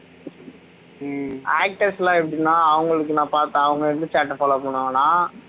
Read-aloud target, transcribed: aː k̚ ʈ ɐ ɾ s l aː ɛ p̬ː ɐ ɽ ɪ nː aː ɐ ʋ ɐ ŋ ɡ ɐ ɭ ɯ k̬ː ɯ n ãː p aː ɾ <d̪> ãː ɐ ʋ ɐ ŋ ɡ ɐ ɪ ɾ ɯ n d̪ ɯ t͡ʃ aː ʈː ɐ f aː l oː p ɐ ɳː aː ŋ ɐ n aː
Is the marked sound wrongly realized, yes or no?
yes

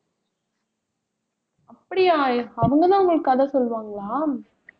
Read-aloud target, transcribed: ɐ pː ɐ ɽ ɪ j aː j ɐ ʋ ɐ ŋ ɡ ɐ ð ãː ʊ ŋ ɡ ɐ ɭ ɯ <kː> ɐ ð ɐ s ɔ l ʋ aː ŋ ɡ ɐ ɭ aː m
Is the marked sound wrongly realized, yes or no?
no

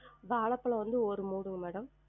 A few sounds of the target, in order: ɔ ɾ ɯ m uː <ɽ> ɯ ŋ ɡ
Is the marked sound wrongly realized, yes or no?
no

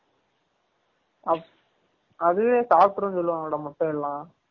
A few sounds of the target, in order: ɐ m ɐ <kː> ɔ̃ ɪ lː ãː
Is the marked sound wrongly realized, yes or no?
yes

